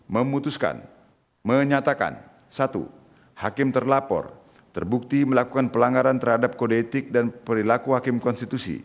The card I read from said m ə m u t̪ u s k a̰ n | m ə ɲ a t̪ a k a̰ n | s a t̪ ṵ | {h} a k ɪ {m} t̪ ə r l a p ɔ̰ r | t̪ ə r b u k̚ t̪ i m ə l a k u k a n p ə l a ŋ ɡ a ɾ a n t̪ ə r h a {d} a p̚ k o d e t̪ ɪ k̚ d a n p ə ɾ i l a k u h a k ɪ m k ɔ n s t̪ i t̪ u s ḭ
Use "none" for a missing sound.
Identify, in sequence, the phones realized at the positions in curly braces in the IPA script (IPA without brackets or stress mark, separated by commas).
h, m, d